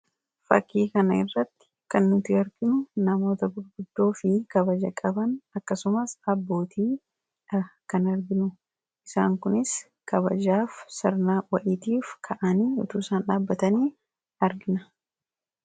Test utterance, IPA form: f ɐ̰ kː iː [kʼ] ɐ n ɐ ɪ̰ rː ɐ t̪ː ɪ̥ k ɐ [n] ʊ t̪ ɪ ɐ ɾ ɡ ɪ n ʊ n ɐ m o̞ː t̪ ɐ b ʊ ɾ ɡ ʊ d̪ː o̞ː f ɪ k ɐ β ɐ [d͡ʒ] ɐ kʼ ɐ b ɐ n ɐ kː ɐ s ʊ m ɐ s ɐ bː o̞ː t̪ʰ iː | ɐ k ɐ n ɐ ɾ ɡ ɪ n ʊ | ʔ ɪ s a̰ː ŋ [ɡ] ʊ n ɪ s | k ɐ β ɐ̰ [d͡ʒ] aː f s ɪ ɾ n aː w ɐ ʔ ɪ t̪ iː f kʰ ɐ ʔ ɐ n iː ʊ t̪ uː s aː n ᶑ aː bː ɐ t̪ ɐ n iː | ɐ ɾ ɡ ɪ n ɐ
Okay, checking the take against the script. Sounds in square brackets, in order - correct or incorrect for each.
incorrect: k, incorrect: nː, correct, incorrect: k, correct

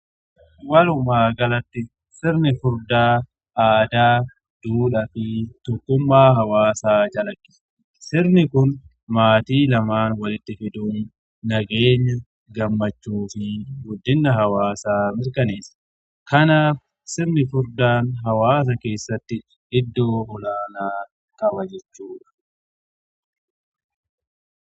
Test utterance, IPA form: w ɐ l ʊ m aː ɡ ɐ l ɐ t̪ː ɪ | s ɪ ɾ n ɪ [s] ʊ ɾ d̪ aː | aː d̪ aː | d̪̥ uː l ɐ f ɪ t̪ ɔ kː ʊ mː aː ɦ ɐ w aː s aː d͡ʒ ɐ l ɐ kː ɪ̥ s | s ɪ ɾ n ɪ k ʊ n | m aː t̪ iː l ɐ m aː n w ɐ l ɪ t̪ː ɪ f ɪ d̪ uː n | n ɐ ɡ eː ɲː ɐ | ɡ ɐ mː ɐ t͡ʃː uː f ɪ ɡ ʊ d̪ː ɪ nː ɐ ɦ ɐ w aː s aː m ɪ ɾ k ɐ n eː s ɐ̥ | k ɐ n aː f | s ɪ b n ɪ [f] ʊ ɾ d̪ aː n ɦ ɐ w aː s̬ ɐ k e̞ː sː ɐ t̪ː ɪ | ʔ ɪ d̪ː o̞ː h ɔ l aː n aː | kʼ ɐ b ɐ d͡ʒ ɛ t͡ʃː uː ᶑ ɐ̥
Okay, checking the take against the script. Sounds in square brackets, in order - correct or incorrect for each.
incorrect: f, correct

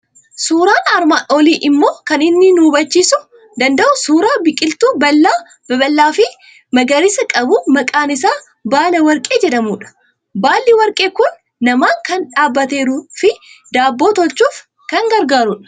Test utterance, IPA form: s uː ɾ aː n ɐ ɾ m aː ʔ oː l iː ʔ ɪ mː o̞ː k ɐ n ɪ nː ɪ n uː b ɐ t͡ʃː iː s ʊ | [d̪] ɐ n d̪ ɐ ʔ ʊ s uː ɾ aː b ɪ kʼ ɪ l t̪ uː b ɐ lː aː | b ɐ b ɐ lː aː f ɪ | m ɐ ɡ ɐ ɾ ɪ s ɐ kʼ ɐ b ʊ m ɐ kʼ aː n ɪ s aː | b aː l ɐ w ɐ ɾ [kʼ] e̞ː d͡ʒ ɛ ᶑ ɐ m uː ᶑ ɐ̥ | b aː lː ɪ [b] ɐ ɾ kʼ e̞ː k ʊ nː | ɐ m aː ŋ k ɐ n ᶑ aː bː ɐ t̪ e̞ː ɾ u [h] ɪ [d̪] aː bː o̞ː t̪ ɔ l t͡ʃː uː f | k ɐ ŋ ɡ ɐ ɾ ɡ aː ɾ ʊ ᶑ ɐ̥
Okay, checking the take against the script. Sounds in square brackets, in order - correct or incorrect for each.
correct, correct, incorrect: w, incorrect: f, correct

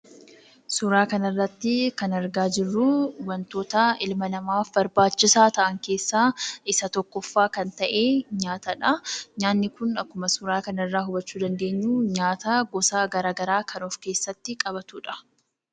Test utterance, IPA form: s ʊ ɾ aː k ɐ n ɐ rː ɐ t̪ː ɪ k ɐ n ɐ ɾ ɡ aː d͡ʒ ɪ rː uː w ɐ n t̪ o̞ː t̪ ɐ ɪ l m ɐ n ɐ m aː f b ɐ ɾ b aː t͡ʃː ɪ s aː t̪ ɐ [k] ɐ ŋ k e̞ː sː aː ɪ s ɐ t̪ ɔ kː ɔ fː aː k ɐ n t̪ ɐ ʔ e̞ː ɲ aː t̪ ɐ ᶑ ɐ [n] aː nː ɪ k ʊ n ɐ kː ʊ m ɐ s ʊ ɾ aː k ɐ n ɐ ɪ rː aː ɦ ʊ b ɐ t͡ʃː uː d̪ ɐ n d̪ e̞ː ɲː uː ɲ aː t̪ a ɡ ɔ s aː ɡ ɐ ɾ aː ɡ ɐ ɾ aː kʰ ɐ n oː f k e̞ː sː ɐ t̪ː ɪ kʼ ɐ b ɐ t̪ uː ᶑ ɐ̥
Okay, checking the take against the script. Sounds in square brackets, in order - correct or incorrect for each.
incorrect: ʔ, incorrect: ɲ

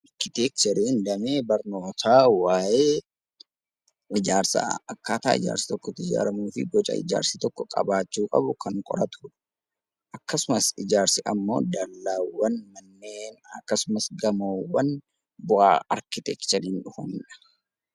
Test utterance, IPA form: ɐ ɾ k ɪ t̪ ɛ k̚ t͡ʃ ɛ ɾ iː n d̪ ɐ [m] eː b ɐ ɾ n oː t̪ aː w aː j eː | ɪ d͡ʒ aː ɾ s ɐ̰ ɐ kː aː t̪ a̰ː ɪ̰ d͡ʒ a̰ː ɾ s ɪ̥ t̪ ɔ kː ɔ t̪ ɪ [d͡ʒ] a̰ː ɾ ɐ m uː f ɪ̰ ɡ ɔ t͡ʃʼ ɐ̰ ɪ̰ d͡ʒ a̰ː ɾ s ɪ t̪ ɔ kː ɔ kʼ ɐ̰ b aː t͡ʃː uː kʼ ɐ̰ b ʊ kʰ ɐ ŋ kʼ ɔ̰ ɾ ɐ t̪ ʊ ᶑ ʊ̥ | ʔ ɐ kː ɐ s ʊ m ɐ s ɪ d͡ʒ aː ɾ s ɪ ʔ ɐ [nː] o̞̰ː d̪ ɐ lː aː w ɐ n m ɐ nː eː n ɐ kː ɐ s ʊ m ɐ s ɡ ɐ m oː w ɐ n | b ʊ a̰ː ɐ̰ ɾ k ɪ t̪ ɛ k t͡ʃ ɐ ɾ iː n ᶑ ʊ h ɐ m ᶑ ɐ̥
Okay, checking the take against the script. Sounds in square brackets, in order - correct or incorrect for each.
correct, correct, incorrect: mː

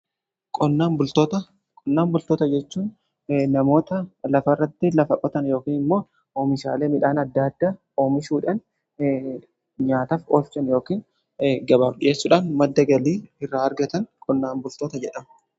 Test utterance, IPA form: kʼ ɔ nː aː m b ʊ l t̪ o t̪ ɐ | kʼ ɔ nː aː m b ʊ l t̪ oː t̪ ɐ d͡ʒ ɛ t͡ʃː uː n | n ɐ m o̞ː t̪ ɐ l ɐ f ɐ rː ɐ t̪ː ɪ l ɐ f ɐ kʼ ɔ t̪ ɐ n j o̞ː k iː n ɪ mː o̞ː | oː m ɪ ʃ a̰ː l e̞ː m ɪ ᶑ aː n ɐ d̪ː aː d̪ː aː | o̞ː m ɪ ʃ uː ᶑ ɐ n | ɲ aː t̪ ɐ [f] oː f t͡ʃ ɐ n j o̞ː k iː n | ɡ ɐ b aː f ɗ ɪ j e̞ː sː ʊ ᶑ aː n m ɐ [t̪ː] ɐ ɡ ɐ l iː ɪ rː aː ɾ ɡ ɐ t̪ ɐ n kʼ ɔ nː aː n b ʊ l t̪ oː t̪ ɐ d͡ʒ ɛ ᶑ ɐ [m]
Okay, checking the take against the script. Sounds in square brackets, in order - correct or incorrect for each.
correct, incorrect: d̪ː, correct

